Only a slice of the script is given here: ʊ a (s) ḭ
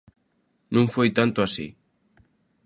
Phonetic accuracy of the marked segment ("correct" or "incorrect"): correct